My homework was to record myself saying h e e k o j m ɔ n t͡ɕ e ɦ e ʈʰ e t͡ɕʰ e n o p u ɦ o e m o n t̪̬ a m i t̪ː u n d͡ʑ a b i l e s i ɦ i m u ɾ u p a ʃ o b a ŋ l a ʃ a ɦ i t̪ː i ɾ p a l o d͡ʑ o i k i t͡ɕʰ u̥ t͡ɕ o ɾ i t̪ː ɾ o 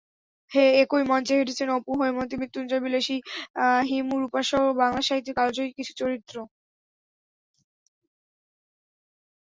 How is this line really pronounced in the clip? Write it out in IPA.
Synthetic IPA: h e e k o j m ɔ n t͡ɕ e ɦ e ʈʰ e t͡ɕʰ e n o p u ɦ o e m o n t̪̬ i m i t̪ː u n d͡ʑ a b i l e ʃ i ɦ i m u ɾ u p a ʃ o b a ŋ l a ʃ a ɦ i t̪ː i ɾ k a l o d͡ʑ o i k i t͡ɕʰ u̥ t͡ɕ o ɾ i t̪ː ɾ o

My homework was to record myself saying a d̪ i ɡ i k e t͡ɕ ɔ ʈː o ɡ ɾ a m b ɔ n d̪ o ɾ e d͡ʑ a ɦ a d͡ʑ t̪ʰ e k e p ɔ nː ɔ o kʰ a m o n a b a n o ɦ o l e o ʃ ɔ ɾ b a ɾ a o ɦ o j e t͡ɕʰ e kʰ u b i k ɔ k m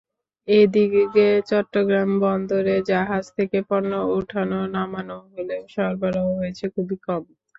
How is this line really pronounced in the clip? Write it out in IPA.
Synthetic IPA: e d̪ i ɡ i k e t͡ɕ ɔ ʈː o ɡ ɾ a m b ɔ n d̪ o ɾ e d͡ʑ a ɦ a d͡ʑ t̪ʰ e k e p ɔ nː o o ʈʰ a n o n a m a n o ɦ o l e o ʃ ɔ ɾ b a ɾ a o ɦ o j e t͡ɕʰ e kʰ u b i k ɔ m

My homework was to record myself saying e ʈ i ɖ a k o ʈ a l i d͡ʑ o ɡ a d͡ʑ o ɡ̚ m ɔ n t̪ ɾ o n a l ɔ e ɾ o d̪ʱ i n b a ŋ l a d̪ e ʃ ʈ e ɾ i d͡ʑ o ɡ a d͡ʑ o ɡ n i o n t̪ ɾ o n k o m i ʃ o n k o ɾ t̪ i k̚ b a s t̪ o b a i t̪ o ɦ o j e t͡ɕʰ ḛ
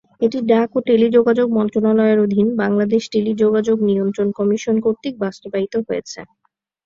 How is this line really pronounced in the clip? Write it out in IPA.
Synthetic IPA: e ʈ i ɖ a k o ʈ e l i d͡ʑ o ɡ a d͡ʑ o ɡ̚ m ɔ n t̪ ɾ o n a l ɔ e ɾ o d̪ʱ i n b a ŋ l a d̪ e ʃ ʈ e l i d͡ʑ o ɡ a d͡ʑ o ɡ n i o n t̪ ɾ o n k ɔ m i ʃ o n k o ɾ t̪ i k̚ b a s t̪ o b a i t̪ o ɦ o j e t͡ɕʰ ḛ

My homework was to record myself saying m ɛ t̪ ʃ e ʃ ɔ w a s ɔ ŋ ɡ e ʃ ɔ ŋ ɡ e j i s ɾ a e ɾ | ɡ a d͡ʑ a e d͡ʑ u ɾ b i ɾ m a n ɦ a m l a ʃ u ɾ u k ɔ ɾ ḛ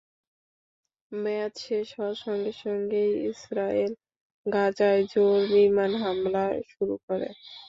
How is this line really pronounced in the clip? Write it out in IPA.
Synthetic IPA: m ɛ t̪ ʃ e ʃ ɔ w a ʃ ɔ ŋ ɡ e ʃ ɔ ŋ ɡ e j i s ɾ a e l | ɡ a d͡ʑ a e d͡ʑ o ɾ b i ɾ m a n ɦ a m l a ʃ u ɾ u k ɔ ɾ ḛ

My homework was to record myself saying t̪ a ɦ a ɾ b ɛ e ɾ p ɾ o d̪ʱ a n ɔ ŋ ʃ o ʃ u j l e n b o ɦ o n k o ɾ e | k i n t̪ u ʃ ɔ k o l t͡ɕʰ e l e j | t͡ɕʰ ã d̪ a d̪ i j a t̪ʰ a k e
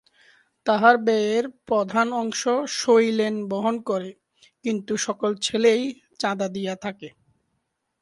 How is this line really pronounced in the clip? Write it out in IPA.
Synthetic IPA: t̪ a ɦ a ɾ b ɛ e ɾ p ɾ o d̪ʱ a n ɔ ŋ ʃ o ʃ o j l e n b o ɦ o n k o ɾ e | k i n t̪ u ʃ ɔ k o l t͡ɕʰ e l e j | t͡ɕ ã d̪ a d̪ i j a t̪ʰ a k e

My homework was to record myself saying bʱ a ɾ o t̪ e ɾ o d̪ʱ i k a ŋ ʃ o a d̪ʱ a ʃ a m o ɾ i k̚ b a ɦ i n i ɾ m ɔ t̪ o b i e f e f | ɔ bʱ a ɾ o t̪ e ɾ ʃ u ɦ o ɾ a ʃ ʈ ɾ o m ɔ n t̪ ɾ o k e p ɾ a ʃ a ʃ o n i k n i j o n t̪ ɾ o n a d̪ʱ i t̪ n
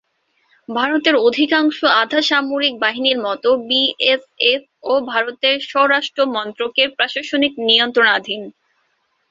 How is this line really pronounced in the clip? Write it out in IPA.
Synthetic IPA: bʱ a ɾ o t̪ e ɾ o d̪ʱ i k a ŋ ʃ o a d̪ʱ a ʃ a m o ɾ i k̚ b a ɦ i n i ɾ m ɔ t̪ o b i e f e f | o bʱ a ɾ o t̪ e ɾ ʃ ɔ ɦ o ɾ a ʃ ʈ ɾ o m ɔ n t̪ ɾ o k e p ɾ a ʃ a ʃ o n i k n i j o n t̪ ɾ o n a d̪ʱ i n

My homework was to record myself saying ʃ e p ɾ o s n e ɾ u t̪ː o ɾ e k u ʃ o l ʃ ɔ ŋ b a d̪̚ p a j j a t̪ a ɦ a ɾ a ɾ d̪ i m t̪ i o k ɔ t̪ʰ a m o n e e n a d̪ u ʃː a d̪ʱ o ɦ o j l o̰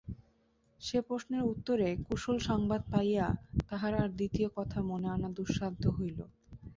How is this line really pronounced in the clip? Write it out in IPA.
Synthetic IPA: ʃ e p ɾ o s n e ɾ u t̪ː o ɾ e k u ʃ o l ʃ ɔ ŋ b a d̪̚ p a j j a t̪ a ɦ a ɾ a ɾ d̪ i t̪ i o k ɔ t̪ʰ a m o n e a n a d̪ u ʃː a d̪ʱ o ɦ o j l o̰

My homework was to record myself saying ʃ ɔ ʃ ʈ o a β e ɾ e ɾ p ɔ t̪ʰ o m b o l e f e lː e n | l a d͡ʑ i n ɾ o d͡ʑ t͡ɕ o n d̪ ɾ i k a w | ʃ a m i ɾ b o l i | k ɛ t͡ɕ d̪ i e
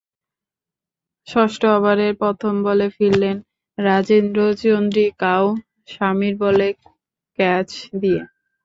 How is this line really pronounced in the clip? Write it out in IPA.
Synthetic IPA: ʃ ɔ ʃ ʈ o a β a ɾ e ɾ p ɔ t̪ʰ o m b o l e f i lː e n | ɾ a d͡ʑ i n ɾ o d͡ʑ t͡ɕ o n d̪ ɾ i k a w | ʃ a m i ɾ b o l e | k ɛ t͡ɕ d̪ i e

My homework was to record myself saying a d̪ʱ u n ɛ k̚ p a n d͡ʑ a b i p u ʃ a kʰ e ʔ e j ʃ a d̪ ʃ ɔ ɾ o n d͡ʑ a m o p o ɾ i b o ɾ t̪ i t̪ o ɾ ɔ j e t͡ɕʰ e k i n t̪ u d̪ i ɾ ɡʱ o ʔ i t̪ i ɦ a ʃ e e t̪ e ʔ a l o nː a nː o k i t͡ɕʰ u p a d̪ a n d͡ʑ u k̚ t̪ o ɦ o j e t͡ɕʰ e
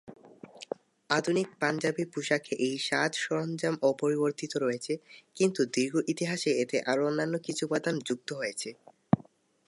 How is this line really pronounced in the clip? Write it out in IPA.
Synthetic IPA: a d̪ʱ u n i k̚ p a n d͡ʑ a b i p u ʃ a kʰ e ʔ e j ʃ a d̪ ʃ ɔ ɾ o n d͡ʑ a m o p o ɾ i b o ɾ t̪ i t̪ o ɾ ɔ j e t͡ɕʰ e k i n t̪ u d̪ i ɾ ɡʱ o ʔ i t̪ i ɦ a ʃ e e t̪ e ʔ a ɾ o nː a nː o k i t͡ɕʰ u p a d̪ a n d͡ʑ u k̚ t̪ o ɦ o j e t͡ɕʰ e

